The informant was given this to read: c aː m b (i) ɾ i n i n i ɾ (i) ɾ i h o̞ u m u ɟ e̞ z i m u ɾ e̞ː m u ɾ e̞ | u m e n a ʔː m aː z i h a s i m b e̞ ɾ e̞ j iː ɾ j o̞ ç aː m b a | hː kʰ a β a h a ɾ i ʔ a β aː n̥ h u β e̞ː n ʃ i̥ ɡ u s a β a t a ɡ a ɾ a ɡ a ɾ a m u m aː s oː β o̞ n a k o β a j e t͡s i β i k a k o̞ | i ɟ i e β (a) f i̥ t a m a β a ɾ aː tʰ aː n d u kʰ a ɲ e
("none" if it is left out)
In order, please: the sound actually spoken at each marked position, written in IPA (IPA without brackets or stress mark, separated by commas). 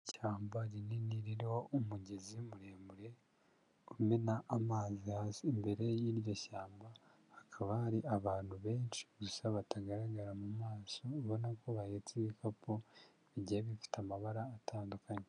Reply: a, i, i